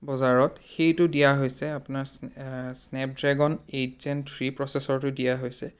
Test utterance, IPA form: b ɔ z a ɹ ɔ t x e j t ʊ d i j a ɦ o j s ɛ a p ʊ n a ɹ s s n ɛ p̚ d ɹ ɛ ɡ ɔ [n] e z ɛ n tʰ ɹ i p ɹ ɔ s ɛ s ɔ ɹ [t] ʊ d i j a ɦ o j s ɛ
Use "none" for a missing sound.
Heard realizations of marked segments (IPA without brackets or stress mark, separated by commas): n, t